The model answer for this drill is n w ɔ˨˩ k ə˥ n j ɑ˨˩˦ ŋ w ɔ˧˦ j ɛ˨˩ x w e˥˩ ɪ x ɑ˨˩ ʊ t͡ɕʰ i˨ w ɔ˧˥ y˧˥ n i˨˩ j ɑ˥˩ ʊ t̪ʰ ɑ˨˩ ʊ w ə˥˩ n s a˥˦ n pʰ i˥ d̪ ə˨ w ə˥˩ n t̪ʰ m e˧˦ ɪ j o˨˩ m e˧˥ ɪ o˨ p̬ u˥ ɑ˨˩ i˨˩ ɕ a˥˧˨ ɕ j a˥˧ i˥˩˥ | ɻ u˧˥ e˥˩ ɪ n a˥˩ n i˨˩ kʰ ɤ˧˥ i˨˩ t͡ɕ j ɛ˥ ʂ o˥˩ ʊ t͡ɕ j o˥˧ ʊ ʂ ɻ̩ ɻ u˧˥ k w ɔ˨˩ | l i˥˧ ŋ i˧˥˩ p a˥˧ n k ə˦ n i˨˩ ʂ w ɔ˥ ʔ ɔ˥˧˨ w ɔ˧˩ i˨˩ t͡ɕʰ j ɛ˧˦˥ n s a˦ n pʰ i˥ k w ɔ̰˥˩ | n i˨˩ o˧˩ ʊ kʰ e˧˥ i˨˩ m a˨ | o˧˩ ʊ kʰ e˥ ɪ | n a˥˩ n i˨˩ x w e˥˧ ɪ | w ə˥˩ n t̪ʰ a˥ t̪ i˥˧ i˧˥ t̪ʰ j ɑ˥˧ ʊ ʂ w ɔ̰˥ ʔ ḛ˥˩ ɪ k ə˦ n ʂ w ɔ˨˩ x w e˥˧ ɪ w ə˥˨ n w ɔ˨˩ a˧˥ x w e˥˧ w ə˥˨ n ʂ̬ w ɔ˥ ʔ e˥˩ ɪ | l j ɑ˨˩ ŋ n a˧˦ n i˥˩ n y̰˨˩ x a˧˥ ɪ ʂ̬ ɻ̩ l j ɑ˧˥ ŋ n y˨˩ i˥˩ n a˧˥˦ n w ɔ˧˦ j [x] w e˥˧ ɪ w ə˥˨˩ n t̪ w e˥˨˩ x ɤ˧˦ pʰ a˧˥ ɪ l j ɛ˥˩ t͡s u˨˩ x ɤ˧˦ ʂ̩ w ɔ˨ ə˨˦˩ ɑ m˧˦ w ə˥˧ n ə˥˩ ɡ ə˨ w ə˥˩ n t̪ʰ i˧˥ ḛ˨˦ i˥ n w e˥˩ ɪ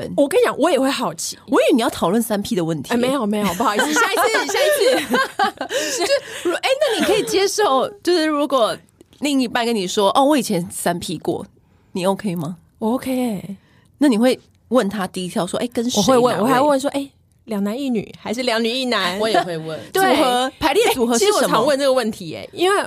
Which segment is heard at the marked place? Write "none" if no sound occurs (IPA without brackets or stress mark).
x